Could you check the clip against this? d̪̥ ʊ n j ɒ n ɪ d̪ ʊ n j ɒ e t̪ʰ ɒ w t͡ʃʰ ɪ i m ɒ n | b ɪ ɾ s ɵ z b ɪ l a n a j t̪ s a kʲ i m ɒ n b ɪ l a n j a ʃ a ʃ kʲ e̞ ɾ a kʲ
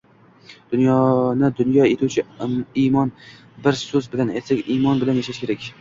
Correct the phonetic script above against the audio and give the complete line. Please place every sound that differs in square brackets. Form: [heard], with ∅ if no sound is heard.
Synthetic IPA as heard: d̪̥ ʊ n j ɒ n ɪ d̪ ʊ n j ɒ e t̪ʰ [u] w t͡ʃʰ ɪ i m ɒ n | b ɪ ɾ s ɵ z b ɪ l a n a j t̪ s a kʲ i m ɒ n b ɪ l a n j a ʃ a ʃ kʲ e̞ ɾ a kʲ